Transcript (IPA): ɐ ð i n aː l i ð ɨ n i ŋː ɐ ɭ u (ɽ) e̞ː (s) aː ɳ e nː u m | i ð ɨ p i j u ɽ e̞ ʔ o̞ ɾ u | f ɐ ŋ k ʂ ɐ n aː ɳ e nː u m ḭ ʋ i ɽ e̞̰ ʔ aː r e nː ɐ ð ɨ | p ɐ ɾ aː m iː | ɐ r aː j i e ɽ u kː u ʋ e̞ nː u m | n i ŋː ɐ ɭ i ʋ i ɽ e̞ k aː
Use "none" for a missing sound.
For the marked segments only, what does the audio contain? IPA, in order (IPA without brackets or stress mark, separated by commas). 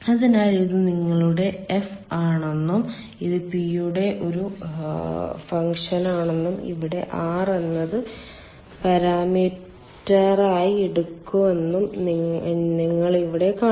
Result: ɽ, f